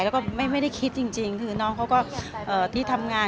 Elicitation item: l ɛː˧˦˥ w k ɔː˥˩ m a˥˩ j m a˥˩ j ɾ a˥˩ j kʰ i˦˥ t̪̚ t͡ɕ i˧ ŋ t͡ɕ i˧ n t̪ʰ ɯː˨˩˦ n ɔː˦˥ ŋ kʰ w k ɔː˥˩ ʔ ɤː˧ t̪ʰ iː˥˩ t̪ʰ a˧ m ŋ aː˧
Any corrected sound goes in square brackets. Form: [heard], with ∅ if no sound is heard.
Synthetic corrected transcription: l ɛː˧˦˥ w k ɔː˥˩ m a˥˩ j m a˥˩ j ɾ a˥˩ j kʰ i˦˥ t̪̚ t͡ɕ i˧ ŋ t͡ɕ i˧ [ŋ] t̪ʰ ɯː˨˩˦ n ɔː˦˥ ŋ kʰ w k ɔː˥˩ ʔ [ɤː˨˩] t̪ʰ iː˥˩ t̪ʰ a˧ m ŋ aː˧